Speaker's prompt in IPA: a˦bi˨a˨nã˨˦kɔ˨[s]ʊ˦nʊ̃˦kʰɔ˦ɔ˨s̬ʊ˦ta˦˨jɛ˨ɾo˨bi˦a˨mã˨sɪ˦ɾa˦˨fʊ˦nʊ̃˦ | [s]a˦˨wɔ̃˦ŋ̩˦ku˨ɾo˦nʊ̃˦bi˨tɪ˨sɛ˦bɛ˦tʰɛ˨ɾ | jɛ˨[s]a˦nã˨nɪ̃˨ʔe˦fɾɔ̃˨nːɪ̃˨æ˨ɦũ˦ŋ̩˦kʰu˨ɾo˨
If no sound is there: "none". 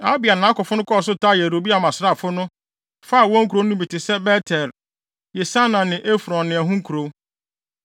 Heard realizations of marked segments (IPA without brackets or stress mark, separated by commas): f, f, s